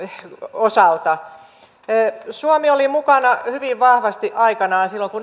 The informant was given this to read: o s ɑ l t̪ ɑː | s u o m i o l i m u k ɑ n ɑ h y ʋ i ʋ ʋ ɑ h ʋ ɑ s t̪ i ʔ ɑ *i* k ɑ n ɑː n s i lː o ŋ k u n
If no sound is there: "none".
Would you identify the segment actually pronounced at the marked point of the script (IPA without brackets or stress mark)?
i